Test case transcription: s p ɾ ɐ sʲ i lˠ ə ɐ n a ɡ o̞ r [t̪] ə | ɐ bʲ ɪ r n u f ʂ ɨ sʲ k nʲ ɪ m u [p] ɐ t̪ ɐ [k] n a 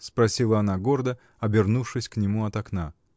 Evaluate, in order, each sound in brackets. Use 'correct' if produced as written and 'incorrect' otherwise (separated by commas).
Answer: incorrect, incorrect, correct